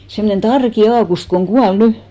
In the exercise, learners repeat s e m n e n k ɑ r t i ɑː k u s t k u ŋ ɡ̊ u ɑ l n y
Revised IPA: s e m n e n t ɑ r k i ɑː k u s t k o ŋ ɡ̊ u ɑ l n y